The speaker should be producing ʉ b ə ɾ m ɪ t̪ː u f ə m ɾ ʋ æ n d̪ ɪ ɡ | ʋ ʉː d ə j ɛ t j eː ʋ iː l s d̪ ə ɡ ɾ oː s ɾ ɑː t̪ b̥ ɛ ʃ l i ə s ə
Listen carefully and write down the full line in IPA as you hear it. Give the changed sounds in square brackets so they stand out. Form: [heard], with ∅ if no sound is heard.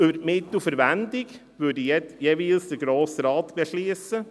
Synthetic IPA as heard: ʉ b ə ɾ m ɪ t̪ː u f ə [∅] ɾ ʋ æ n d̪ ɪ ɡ | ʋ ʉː d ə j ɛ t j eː ʋ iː l s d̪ ə ɡ ɾ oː s ɾ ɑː t̪ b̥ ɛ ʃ l i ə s ə